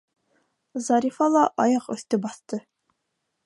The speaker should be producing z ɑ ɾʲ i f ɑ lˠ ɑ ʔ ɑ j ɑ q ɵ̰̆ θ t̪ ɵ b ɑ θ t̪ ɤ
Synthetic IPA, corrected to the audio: z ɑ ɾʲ i f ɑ lˠ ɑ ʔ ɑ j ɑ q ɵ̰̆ θ t̪ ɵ b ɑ θ t̪ ɤ